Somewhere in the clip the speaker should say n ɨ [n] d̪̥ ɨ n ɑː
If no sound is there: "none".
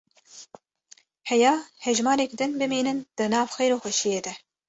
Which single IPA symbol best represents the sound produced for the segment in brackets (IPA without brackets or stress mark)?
n